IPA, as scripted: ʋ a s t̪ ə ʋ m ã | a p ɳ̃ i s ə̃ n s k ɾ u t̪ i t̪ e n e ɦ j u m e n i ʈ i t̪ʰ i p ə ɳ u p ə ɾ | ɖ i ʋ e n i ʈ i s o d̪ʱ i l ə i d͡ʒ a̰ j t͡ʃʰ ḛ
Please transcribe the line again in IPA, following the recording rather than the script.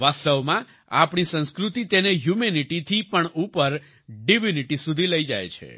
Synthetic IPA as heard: ʋ a s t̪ ə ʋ m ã | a p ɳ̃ i s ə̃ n s k ɾ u t̪ i t̪ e n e ɦ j u m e n i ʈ i t̪ʰ i p ə ɳ u p ə ɾ | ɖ i ʋ i n i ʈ i s u d̪ʱ i l ə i d͡ʒ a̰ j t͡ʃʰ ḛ

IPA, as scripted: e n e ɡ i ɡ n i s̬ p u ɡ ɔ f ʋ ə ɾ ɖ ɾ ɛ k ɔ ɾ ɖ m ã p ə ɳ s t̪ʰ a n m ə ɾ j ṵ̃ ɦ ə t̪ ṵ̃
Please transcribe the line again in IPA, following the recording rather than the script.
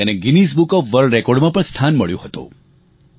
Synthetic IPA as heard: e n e ɡ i n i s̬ b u k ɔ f ʋ ə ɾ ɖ ɾ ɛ k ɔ ɾ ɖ m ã p ə ɳ s t̪ʰ a n m ə ɭ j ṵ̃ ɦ ə t̪ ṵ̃

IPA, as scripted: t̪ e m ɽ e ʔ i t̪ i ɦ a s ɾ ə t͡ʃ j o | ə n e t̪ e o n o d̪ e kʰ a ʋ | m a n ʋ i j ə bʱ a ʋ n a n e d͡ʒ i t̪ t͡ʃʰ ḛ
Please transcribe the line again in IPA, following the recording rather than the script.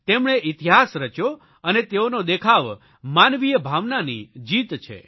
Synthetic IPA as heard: t̪ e m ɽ e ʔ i t̪ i ɦ a s ɾ ə t͡ʃ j o | ə n e t̪ e o n o d̪ e kʰ a ʋ | m a n ʋ i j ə bʱ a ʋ n a n i d͡ʒ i t̪ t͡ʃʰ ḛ

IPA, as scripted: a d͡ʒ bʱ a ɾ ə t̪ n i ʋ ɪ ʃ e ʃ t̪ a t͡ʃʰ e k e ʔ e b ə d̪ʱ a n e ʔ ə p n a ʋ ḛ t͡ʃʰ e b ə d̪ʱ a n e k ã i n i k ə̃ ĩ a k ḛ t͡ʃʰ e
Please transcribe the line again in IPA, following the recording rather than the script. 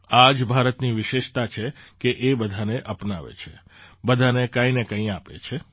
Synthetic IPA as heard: a d͡ʒ bʱ a ɾ ə t̪ n i ʋ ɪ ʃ e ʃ t̪ a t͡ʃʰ e k e ʔ e b ə d̪ʱ a n e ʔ ə p n a ʋ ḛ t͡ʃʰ e b ə d̪ʱ a n e k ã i n e k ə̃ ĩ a p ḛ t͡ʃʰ e

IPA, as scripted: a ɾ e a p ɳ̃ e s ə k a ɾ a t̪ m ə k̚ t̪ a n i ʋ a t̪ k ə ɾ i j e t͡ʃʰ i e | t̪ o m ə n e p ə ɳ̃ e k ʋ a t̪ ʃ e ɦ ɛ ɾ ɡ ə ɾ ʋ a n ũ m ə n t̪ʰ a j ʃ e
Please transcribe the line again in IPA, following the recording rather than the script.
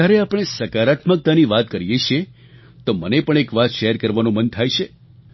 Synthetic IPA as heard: a ɾ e a p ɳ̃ e s ə k a ɾ a t̪ m ə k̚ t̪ a n i ʋ a t̪ k ə ɾ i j e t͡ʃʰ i e | t̪ o m ə n e p ə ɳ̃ e k ʋ a t̪ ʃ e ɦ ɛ ɾ k ə ɾ ʋ a n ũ m ə n t̪ʰ a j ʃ e

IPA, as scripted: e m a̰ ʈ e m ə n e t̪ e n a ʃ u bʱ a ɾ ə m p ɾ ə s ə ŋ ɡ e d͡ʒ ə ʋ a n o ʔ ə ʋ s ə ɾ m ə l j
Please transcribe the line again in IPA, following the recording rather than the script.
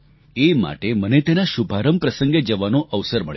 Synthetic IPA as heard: e m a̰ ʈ e m ə n e t̪ e n a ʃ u bʱ a ɾ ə m p ɾ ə s ə ŋ ɡ e d͡ʒ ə ʋ a n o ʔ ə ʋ s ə ɾ m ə ɭ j

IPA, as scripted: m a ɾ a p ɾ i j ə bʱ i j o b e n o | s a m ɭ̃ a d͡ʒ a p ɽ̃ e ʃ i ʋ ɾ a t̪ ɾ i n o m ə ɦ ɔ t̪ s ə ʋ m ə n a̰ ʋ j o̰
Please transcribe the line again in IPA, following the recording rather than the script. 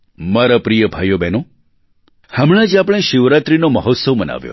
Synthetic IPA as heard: m a ɾ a p ɾ i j ə bʱ a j o b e n o | h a m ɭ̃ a d͡ʒ a p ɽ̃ e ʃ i ʋ ɾ a t̪ ɾ i n o m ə ɦ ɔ t̪ s ə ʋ m ə n a̰ ʋ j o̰

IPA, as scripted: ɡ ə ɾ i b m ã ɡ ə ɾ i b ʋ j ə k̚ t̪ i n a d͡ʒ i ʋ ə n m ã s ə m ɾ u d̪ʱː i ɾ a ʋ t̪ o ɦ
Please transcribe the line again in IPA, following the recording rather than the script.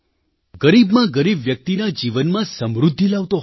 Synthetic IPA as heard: ɡ ə ɾ i b m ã ɡ ə ɾ i b ʋ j ə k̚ t̪ i n a d͡ʒ i ʋ ə n m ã s ə m ɾ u d̪ʱː i l a ʋ t̪ o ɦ

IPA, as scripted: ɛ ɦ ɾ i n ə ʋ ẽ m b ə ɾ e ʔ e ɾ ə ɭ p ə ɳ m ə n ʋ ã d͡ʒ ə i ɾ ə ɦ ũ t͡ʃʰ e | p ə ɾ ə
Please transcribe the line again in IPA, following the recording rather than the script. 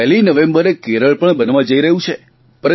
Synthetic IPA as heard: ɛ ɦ l i n ə ʋ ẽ m b ə ɾ e k e ɾ ə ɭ p ə ɳ b ə n ʋ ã d͡ʒ ə i ɾ ə ɦ ũ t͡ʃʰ e | p ə ɾ ə

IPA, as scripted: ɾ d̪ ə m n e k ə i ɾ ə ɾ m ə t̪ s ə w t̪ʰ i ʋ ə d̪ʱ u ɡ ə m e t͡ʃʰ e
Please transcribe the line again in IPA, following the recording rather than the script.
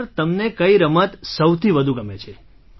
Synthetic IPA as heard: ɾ t̪ ə m n e k ə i ɾ ə m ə t̪ s ə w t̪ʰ i ʋ ə d̪ʱ u ɡ ə m e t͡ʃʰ e

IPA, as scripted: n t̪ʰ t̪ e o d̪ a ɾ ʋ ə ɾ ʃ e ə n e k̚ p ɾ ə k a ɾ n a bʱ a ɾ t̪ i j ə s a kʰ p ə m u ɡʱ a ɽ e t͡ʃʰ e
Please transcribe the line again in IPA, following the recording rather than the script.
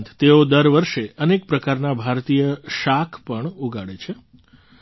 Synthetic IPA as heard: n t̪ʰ t̪ e o d̪ ə ɾ ʋ ə ɾ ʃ e ə n e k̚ p ɾ ə k a ɾ n a bʱ a ɾ t̪ i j ə ʃ a kʰ p ə ɳ u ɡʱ a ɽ e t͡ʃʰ e

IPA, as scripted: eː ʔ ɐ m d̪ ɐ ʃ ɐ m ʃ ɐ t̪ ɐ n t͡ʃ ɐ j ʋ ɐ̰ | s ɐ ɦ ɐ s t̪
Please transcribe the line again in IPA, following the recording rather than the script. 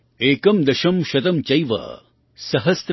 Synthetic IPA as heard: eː k ɐ m d̪ ɐ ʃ ɐ m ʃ ɐ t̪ ɐ m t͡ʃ ɐ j ʋ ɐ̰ | s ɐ ɦ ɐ s t̪

